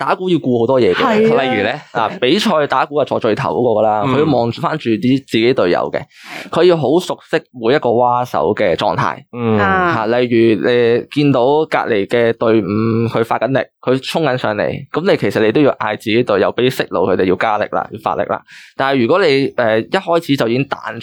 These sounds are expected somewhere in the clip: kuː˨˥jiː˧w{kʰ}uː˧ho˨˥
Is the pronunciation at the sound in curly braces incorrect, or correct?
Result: incorrect